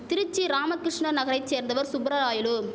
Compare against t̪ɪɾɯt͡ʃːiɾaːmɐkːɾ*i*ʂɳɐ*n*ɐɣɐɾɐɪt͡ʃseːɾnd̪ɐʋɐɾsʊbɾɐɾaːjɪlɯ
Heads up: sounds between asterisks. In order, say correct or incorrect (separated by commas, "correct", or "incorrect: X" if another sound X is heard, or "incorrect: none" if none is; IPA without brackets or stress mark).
incorrect: ɪ, correct